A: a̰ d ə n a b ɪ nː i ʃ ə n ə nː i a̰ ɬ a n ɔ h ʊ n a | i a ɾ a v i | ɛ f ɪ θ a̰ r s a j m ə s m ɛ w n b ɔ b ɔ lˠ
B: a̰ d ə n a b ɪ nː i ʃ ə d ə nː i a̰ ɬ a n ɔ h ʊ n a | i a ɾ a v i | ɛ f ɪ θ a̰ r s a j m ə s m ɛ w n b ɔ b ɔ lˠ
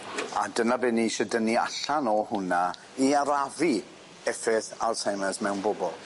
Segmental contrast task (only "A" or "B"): B